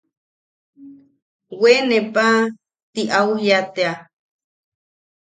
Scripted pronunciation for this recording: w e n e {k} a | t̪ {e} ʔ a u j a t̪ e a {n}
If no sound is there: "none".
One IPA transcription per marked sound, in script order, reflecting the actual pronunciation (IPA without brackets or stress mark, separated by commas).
p, i, none